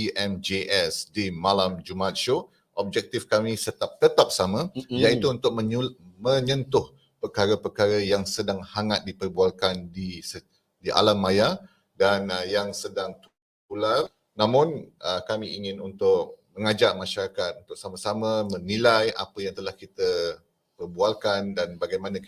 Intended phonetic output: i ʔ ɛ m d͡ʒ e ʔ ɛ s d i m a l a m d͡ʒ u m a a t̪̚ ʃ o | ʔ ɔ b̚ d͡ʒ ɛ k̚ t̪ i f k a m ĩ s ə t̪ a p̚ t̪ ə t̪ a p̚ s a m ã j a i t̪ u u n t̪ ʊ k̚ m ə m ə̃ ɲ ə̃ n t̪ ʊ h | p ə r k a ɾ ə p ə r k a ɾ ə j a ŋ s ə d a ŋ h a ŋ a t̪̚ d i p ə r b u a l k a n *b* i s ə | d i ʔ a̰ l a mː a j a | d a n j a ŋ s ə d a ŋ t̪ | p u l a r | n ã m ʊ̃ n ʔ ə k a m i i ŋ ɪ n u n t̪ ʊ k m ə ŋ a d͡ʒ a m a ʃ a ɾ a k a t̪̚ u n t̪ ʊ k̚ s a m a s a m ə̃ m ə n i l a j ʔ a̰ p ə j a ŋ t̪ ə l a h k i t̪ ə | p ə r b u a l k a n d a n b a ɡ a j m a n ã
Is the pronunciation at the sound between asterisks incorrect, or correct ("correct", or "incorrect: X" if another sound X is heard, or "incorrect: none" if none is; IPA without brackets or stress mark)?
incorrect: d